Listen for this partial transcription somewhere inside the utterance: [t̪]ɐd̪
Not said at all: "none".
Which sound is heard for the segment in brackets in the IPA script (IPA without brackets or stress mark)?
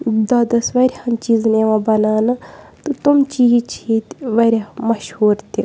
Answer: d̪